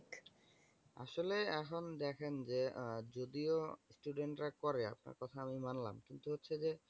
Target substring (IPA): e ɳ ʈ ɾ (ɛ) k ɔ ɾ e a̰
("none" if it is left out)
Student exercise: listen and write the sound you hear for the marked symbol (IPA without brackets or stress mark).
a